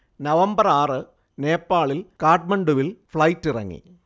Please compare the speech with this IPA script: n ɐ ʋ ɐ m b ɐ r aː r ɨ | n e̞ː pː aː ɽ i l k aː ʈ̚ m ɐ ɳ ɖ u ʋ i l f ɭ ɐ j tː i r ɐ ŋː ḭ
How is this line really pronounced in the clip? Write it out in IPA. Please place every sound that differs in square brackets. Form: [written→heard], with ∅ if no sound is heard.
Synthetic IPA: n ɐ ʋ ɐ m b ɐ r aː r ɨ | n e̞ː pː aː [ɽ→ɭ] i l k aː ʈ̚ m ɐ ɳ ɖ u ʋ i l f ɭ ɐ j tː i r ɐ ŋː ḭ